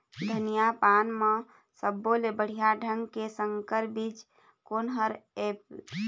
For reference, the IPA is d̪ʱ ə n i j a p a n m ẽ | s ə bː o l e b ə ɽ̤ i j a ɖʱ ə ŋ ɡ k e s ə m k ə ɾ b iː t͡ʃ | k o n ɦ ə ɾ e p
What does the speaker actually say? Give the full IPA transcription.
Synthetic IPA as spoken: d̪ʱ ə n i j a p a n m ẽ | s ə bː o l e b ə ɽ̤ i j a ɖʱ ə ŋ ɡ k e s ə ŋ k ə ɾ b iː t͡ʃ | k o n ɦ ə ɾ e p